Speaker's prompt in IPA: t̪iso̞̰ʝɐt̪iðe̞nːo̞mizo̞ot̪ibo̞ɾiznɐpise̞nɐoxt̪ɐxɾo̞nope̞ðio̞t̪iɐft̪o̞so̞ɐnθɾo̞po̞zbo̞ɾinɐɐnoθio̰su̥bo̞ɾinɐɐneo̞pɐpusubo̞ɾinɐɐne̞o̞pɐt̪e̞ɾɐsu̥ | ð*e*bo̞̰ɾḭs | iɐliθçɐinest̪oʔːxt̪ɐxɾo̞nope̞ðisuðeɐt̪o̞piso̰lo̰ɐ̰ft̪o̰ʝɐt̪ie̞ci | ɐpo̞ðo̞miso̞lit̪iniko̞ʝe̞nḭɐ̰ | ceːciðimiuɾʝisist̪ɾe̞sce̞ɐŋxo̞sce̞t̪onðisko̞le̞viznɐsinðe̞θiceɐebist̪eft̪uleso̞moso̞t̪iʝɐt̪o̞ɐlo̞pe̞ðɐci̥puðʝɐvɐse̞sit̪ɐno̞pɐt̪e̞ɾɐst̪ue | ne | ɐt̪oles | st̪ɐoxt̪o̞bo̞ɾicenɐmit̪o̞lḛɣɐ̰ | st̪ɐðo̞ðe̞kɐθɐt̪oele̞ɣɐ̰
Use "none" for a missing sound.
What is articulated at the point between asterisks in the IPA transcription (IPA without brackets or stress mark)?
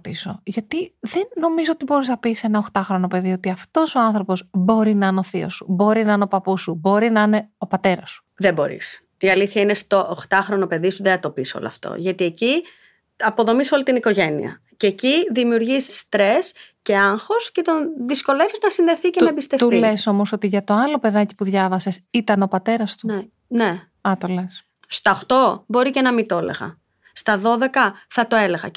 e